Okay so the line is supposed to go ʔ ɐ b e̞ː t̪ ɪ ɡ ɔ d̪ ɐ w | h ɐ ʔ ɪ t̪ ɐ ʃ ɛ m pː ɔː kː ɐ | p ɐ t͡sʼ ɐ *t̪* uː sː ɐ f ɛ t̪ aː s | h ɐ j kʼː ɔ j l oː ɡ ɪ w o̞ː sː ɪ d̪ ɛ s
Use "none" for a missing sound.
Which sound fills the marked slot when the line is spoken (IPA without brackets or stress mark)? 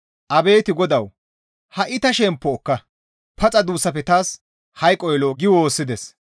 d̪